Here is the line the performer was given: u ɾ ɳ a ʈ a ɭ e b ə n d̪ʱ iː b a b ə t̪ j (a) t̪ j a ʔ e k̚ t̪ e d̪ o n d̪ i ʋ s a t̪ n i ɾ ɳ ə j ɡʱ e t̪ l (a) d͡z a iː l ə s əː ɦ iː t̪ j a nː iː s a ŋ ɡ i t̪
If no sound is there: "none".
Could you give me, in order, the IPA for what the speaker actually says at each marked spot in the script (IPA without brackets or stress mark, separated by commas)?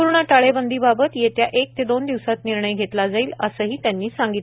e, a